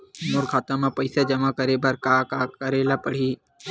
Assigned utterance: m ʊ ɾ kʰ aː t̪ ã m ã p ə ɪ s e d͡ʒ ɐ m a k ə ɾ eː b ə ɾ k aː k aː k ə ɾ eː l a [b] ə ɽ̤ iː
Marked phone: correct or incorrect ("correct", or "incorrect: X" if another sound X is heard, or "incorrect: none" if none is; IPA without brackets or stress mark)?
incorrect: p